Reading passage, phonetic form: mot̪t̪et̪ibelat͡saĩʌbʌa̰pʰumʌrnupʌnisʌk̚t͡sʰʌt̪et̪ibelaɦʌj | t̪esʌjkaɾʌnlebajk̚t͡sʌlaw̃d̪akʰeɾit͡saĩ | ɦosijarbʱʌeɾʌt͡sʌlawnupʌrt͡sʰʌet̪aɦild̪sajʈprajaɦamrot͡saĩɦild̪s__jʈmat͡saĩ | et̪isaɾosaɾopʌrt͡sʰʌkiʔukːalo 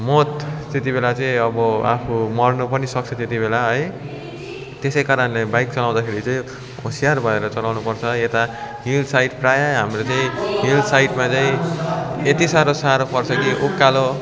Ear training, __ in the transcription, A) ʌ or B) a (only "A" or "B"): B